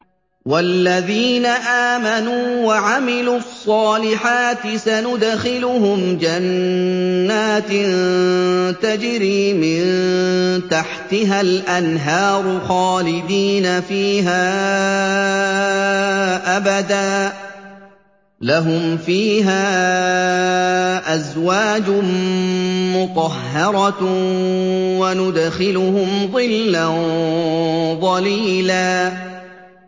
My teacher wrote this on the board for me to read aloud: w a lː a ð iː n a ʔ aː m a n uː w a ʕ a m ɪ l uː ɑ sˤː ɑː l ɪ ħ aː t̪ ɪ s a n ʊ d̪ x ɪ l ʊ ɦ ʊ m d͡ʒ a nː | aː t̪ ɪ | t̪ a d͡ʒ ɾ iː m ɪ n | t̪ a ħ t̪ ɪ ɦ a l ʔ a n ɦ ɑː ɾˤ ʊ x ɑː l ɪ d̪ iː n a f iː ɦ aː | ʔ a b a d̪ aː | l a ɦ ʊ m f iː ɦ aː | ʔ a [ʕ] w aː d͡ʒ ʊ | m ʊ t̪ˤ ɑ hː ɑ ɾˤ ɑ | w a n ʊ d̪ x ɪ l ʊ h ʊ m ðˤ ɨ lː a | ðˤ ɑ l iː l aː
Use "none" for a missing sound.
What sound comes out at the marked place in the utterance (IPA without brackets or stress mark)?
z